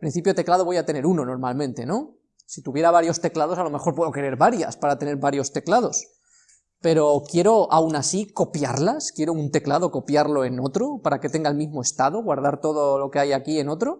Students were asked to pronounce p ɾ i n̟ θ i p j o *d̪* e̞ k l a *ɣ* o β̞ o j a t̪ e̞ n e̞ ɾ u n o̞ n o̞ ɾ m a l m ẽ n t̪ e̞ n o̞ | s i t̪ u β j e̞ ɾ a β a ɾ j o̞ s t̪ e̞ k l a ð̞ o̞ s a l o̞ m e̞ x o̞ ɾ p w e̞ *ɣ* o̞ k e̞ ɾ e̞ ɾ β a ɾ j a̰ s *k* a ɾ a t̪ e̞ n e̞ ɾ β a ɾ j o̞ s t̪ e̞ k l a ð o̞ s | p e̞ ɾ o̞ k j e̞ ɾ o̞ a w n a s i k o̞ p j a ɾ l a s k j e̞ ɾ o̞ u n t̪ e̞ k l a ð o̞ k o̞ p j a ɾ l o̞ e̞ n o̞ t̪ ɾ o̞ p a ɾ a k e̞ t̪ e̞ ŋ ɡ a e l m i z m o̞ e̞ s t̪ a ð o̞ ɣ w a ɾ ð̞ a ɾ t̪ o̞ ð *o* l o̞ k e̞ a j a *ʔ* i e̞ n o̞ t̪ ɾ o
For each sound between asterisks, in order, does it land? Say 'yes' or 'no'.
no, no, no, no, yes, no

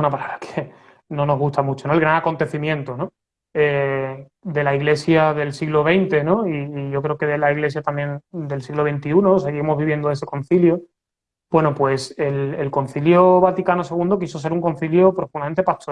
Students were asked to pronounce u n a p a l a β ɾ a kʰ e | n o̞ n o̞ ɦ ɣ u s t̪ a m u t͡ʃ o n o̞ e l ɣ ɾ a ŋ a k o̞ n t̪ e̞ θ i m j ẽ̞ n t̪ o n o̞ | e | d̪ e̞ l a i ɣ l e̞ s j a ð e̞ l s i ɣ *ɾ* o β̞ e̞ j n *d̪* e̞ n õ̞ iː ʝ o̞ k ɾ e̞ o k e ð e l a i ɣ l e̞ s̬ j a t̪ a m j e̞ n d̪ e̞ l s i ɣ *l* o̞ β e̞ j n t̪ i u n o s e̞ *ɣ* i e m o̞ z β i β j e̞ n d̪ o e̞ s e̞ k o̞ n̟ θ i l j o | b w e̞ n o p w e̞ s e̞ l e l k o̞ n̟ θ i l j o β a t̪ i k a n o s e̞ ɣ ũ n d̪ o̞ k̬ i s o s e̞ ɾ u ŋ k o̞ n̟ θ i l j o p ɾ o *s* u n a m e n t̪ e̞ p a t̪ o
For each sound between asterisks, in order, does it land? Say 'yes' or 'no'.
no, no, yes, yes, no

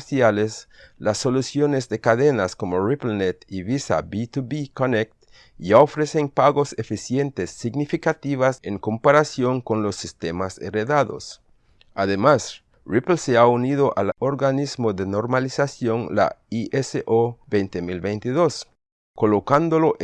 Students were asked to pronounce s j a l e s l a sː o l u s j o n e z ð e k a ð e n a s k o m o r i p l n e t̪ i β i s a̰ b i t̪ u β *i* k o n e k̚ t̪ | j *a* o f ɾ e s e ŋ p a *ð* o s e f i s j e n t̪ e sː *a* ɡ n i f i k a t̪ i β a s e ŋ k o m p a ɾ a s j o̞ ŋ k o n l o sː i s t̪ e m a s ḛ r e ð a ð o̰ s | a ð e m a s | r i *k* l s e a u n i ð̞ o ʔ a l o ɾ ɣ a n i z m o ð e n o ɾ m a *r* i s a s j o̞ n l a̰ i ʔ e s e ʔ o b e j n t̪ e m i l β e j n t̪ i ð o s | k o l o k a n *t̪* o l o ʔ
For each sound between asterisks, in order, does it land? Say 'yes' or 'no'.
yes, yes, no, no, no, no, no

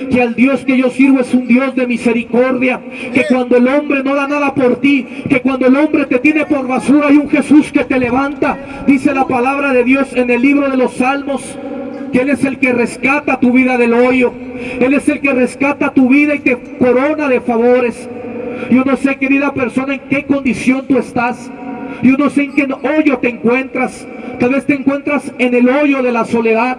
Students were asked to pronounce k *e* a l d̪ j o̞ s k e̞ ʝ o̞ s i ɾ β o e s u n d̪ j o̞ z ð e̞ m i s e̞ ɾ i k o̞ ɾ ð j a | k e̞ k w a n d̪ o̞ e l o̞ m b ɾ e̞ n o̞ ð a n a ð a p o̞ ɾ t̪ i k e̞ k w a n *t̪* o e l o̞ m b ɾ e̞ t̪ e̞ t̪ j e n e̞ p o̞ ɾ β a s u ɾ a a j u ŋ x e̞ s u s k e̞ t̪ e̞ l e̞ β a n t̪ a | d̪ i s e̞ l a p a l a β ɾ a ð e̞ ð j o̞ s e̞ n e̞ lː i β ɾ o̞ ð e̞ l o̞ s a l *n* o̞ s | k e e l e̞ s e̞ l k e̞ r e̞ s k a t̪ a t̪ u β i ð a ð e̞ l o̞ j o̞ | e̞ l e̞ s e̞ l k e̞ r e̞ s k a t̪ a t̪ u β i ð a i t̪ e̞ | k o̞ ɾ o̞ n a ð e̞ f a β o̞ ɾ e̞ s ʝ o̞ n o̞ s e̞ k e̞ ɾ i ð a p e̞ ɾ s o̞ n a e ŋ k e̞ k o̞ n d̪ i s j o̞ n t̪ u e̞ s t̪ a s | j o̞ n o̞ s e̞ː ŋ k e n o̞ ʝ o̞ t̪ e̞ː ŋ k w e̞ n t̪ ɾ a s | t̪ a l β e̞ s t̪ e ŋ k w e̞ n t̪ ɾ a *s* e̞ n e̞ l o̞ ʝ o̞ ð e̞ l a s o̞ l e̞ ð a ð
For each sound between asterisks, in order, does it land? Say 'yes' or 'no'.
yes, no, no, yes

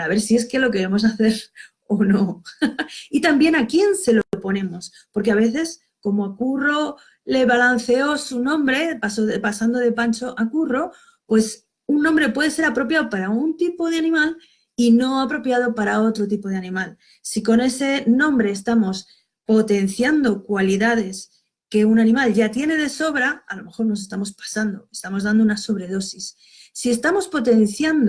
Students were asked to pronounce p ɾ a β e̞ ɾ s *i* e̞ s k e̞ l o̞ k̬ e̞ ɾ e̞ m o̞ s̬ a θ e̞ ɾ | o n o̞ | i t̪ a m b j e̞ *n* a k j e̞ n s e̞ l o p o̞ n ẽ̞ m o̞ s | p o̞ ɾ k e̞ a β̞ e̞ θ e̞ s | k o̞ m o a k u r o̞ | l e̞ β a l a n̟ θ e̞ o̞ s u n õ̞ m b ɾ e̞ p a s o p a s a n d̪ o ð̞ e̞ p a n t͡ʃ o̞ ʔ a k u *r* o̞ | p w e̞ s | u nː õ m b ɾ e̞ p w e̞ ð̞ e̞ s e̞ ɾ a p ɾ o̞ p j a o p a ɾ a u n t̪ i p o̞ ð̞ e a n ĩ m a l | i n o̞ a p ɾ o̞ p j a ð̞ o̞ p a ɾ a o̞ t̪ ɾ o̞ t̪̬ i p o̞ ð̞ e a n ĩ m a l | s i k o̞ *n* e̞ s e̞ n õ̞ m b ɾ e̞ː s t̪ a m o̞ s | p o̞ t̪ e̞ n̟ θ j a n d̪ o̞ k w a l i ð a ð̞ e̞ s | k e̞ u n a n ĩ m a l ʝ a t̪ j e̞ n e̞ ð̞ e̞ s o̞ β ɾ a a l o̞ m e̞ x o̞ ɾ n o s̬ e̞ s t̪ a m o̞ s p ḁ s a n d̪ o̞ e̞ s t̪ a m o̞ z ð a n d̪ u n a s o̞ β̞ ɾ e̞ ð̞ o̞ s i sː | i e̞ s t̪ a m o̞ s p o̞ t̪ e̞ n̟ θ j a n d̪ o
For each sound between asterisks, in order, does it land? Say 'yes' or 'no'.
yes, yes, yes, yes

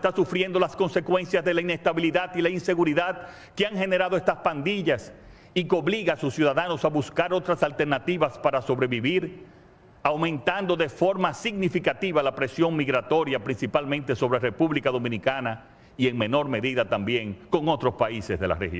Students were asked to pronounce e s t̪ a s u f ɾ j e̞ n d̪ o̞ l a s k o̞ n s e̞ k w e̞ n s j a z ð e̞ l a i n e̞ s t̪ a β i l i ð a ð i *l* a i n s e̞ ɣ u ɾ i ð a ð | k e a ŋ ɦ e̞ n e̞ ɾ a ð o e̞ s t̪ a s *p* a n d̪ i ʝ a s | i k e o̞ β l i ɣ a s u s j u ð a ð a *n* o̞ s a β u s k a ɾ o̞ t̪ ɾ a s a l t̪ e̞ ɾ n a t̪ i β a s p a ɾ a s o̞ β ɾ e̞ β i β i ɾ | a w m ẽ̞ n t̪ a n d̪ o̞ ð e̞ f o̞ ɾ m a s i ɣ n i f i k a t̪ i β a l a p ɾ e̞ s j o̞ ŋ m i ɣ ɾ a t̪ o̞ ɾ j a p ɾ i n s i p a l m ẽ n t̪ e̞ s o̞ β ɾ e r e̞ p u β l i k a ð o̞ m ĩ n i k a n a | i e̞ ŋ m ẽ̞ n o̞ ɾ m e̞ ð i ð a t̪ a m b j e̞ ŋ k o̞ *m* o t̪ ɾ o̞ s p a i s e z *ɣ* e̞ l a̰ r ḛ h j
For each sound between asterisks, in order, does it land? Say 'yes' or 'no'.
yes, yes, yes, no, no

